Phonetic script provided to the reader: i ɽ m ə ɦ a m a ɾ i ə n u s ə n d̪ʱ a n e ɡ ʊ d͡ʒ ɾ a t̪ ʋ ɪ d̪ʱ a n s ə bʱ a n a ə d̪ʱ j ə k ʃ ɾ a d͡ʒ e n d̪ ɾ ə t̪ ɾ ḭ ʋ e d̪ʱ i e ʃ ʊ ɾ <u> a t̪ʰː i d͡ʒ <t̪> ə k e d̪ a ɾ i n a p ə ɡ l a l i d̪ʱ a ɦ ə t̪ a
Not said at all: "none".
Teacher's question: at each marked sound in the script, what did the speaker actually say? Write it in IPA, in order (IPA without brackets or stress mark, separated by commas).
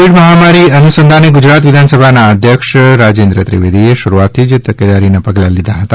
u, t̪